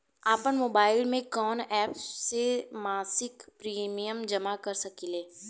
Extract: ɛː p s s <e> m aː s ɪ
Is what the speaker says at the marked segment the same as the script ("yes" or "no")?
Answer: yes